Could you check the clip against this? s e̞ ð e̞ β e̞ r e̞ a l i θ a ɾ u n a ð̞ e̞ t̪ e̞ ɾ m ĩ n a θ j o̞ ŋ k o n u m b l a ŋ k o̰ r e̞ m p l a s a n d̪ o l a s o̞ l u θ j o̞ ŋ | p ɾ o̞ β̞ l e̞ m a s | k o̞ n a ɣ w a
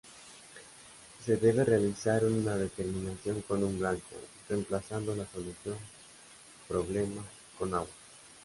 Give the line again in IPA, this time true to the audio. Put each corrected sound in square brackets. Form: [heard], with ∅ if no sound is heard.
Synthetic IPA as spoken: s e̞ ð e̞ β e̞ r e̞ a l i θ a ɾ u n a ð̞ e̞ t̪ e̞ ɾ m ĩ n a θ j o̞ ŋ k o n u m b l a ŋ k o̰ r e̞ m p l a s a n d̪ o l a s o̞ l u θ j o̞ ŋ | p ɾ o̞ β̞ l e̞ m a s | k o̞ n a ɣ w a

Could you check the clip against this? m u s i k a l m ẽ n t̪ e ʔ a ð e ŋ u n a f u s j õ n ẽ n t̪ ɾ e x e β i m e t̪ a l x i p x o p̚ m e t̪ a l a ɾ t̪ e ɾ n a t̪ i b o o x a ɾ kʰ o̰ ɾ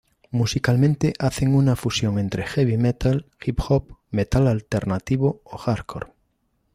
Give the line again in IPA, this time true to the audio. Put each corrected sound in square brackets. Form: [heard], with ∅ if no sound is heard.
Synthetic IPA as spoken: m u s i k a l m ẽ n t̪ e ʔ a [θ] e ŋ u n a f u s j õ [ŋ] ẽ n t̪ ɾ e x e β i m e t̪ a l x i p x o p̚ m e t̪ a l a [l] t̪ e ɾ n a t̪ i [β] o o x a ɾ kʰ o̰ ɾ

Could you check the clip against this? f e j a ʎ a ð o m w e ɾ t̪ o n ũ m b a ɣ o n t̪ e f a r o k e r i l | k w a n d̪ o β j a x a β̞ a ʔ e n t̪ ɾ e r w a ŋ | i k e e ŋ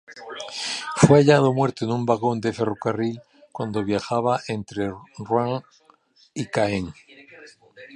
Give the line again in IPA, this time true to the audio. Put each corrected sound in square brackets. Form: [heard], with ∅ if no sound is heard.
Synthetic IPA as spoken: f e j a ʎ a ð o m w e ɾ t̪ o n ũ m b a ɣ o n [d̪] e f [e] r o k [a] r i l | k w a n d̪ o β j a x a β̞ a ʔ e n t̪ ɾ e r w a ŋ | i k [a] e ŋ

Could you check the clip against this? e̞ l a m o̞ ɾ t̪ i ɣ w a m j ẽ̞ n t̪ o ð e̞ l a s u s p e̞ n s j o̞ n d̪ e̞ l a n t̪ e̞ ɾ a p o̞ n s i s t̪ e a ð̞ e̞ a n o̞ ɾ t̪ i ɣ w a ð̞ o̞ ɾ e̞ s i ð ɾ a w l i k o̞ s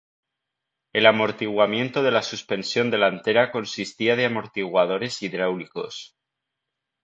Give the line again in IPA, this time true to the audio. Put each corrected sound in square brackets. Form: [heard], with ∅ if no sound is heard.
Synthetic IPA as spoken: e̞ l a m o̞ ɾ t̪ i ɣ w a m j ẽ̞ n t̪ o ð e̞ l a s u s p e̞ n s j o̞ n d̪ e̞ l a n t̪ e̞ ɾ a [k] o̞ n s i s t̪ [i] a ð̞ e̞ a [m] o̞ ɾ t̪ i ɣ w a ð̞ o̞ ɾ e̞ s i ð ɾ a w l i k o̞ s

